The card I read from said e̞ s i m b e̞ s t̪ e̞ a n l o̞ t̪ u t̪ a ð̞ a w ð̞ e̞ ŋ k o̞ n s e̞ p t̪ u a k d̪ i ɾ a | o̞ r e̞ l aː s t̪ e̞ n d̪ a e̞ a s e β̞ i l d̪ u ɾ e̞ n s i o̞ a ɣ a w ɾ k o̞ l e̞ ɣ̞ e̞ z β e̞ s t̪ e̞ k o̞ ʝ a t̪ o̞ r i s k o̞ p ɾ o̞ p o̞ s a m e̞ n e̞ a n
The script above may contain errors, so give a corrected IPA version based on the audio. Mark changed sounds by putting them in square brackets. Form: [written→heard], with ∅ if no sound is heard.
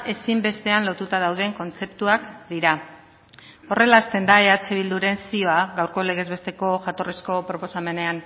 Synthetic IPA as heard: e̞ s i m b e̞ s t̪ e̞ a n l o̞ t̪ u t̪ a ð̞ a w ð̞ e̞ ŋ k o̞ n [s→t͡s] e̞ p t̪ u a k d̪ i ɾ a | o̞ r e̞ l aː s t̪ e̞ n d̪ a e̞ a [s→t͡s] e β̞ i l d̪ u ɾ e̞ n s i o̞ a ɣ a w ɾ k o̞ l e̞ ɣ̞ e̞ z β e̞ s t̪ e̞ k o̞ ʝ a t̪ o̞ r i s k o̞ p ɾ o̞ p o̞ s a m e̞ n e̞ a n

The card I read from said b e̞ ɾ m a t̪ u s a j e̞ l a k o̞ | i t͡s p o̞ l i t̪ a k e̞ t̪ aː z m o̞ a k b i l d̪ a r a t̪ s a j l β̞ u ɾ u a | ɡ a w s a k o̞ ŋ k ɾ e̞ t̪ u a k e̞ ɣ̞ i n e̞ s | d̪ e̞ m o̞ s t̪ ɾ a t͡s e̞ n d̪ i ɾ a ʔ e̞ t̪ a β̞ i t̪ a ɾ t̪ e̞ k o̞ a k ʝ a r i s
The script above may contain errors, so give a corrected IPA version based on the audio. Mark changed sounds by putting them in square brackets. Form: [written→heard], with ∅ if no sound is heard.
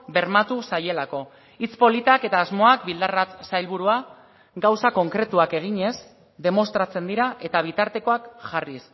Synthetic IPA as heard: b e̞ ɾ m a t̪ u s a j e̞ l a k o̞ | i t͡s p o̞ l i t̪ a k e̞ t̪ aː z m o̞ a k b i l d̪ a r a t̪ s a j l β̞ u ɾ u a | ɡ a w s a k o̞ ŋ k ɾ e̞ t̪ u a k e̞ ɣ̞ i [n→ɲ] e̞ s | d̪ e̞ m o̞ s t̪ ɾ a t͡s e̞ n d̪ i ɾ a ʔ e̞ t̪ a β̞ i t̪ a ɾ t̪ e̞ k o̞ a k ʝ a r i s

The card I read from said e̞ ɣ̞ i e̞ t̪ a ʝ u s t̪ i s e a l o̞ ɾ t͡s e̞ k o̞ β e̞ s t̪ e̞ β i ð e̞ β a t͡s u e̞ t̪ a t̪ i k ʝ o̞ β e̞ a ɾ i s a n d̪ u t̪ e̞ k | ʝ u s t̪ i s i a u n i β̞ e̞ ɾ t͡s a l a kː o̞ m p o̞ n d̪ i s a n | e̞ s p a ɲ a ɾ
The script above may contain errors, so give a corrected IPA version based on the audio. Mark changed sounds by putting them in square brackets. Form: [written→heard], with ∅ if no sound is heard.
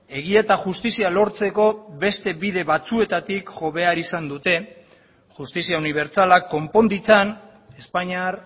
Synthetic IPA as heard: e̞ ɣ̞ i e̞ t̪ a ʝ u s t̪ i s [e→i] a l o̞ ɾ t͡s e̞ k o̞ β e̞ s t̪ e̞ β i ð e̞ β a t͡s u e̞ t̪ a t̪ i k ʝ o̞ β e̞ a ɾ i s a n d̪ u t̪ e̞ [k→∅] | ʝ u s t̪ i s i a u n i β̞ e̞ ɾ t͡s a l a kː o̞ m p o̞ n d̪ i [s→t͡s] a n | e̞ s p a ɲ a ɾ

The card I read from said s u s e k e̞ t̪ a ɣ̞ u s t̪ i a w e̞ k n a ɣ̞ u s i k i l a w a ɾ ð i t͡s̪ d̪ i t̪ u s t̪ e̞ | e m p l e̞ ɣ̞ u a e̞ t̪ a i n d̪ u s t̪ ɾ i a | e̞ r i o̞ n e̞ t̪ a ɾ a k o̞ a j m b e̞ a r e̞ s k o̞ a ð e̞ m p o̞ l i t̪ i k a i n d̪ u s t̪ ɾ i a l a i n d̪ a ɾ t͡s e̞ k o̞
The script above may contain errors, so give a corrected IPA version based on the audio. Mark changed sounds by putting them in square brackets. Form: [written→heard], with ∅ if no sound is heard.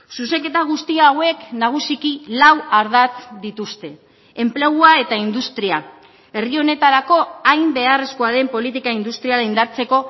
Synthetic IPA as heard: s u s e k e̞ t̪ a ɣ̞ u s t̪ i a w e̞ k n a ɣ̞ u s i k i l a w a ɾ ð [i→a] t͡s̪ d̪ i t̪ u s t̪ e̞ | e m p l e̞ ɣ̞ u a e̞ t̪ a i n d̪ u s t̪ ɾ i a | e̞ r i o̞ n e̞ t̪ a ɾ a k o̞ a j m b e̞ a r e̞ s k o̞ a ð e̞ m p o̞ l i t̪ i k a i n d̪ u s t̪ ɾ i a l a i n d̪ a ɾ t͡s e̞ k o̞

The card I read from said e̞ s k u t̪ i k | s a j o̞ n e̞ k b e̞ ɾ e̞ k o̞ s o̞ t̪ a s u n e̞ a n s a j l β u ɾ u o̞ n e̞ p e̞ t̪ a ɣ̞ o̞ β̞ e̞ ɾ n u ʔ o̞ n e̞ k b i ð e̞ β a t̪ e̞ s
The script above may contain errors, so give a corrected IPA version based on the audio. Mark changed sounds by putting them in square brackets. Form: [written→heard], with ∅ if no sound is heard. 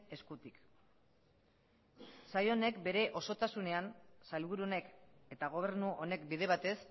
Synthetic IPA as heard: e̞ s k u t̪ i k | s a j o̞ n e̞ k b e̞ ɾ e̞ [k→ʔ] o̞ s o̞ t̪ a s u n e̞ a n s a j l β u ɾ u o̞ n e̞ [p→k] e̞ t̪ a ɣ̞ o̞ β̞ e̞ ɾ n u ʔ o̞ n e̞ k b i ð e̞ β a t̪ e̞ s

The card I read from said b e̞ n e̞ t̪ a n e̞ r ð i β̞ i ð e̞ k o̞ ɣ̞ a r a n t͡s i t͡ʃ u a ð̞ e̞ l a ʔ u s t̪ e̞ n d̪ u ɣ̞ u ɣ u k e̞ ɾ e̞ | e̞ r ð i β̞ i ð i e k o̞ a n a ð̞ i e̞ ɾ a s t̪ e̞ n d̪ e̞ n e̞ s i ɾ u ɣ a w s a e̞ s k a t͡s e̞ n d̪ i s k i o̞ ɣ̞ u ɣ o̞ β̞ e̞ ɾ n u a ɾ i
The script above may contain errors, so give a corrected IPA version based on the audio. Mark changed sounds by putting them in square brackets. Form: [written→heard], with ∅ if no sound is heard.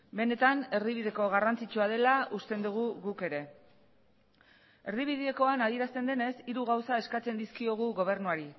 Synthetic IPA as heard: b e̞ n e̞ t̪ a n e̞ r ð i β̞ i ð e̞ k o̞ ɣ̞ a r a n t͡s i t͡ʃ u a ð̞ e̞ l a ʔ u s t̪ e̞ n d̪ u ɣ̞ u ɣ u k e̞ ɾ e̞ | e̞ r ð i β̞ i ð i e k o̞ a n a ð̞ i e̞ ɾ a s t̪ e̞ n d̪ e̞ n e̞ s i ɾ u ɣ a w s a e̞ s k a t͡s e̞ n d̪ i s k i o̞ ɣ̞ u ɣ o̞ β̞ e̞ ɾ n u a ɾ i

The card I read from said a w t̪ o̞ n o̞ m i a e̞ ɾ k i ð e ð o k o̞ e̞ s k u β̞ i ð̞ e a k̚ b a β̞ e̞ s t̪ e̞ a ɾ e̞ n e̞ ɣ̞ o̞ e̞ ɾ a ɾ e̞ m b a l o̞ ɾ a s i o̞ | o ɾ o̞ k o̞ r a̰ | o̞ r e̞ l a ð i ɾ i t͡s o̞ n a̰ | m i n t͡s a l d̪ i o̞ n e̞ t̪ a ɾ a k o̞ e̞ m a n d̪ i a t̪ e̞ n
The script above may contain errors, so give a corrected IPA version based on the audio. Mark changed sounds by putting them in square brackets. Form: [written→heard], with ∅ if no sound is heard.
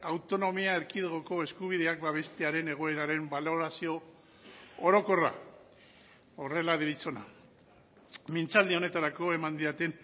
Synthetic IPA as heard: a w t̪ o̞ n o̞ m i a e̞ ɾ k i ð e [ð→ɣ] o k o̞ e̞ s k u β̞ i ð̞ e a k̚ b a β̞ e̞ s t̪ e̞ a ɾ e̞ n e̞ ɣ̞ o̞ e̞ ɾ a ɾ e̞ m b a l o̞ ɾ a s i o̞ | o ɾ o̞ k o̞ r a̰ | o̞ r e̞ l a ð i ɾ i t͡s o̞ n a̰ | m i n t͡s a l d̪ i o̞ n e̞ t̪ a ɾ a k o̞ e̞ m a n d̪ i a t̪ e̞ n

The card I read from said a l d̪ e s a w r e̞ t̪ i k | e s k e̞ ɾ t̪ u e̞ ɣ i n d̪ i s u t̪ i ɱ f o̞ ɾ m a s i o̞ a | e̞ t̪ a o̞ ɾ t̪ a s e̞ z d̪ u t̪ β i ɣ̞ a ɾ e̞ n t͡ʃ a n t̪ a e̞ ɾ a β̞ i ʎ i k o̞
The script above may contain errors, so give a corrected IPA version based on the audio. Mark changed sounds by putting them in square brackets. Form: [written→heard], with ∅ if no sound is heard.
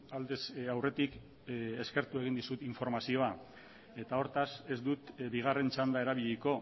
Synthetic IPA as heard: a l d̪ e s a w r e̞ t̪ i k | e s k e̞ ɾ t̪ u e̞ ɣ i n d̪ i s u t̪ i ɱ f o̞ ɾ m a s i o̞ a | e̞ t̪ a o̞ ɾ t̪ a s e̞ z d̪ u t̪ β i ɣ̞ a [ɾ→r] e̞ n t͡ʃ a n [t̪→d̪] a e̞ ɾ a β̞ i ʎ i k o̞

